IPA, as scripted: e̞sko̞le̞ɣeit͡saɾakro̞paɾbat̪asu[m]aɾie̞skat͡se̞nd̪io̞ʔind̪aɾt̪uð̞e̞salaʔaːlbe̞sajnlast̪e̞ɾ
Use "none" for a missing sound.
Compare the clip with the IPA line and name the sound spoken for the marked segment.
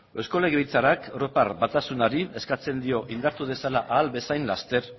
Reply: n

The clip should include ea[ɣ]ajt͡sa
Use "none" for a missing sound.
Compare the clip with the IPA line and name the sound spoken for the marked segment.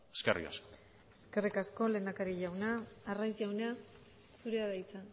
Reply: ð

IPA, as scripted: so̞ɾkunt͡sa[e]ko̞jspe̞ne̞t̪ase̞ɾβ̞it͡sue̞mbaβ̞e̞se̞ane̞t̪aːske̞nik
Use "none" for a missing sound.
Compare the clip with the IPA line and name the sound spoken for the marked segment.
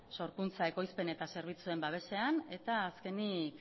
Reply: e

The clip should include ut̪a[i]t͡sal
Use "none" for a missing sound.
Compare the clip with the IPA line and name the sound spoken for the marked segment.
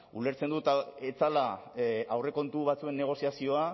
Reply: e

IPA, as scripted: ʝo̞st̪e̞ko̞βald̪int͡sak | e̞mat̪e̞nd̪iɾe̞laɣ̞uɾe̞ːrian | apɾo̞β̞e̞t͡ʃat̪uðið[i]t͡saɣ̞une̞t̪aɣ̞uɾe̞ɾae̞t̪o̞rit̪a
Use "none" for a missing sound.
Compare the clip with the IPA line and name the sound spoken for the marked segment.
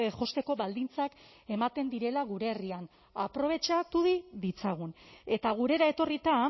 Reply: i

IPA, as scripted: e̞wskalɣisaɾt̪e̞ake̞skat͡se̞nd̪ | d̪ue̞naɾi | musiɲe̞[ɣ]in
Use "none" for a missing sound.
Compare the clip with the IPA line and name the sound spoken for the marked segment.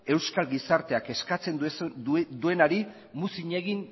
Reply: ɣ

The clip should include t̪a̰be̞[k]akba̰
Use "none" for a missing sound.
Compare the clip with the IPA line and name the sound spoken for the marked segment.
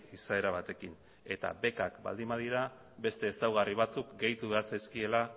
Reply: k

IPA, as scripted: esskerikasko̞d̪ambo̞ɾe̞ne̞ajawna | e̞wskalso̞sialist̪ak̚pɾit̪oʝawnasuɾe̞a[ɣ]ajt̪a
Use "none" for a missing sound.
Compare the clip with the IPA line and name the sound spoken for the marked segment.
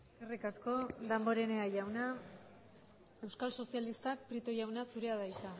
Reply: ð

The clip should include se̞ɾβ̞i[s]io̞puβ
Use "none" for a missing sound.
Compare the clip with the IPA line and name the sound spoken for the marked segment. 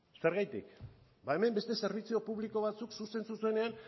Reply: t͡s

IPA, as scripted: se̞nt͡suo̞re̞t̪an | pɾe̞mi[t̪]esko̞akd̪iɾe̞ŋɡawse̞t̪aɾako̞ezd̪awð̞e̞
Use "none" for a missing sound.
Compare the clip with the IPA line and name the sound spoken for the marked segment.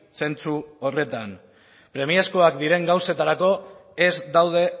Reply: none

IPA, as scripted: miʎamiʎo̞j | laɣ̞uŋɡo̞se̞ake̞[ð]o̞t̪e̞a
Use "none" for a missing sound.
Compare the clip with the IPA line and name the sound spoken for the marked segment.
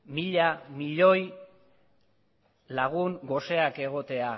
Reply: ɣ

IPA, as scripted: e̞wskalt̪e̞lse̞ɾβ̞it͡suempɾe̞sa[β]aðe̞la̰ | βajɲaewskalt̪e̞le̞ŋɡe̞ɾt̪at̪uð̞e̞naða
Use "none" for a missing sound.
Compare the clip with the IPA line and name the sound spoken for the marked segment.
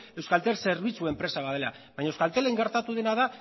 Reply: β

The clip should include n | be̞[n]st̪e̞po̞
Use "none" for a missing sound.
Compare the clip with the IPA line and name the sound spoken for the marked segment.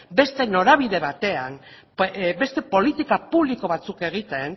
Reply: none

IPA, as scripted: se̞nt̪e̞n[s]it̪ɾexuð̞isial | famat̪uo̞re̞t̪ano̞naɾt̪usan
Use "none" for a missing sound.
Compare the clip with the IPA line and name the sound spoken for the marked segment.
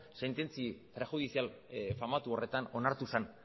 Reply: t͡s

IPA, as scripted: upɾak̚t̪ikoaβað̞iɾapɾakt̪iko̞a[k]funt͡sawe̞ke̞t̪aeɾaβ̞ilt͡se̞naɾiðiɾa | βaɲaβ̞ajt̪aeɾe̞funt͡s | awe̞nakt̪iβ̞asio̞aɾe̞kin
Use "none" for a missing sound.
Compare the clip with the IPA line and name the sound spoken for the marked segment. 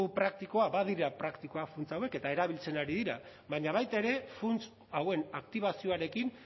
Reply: none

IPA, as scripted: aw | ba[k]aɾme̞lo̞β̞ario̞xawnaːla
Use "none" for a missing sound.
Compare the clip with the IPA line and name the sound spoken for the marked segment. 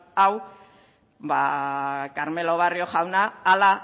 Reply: k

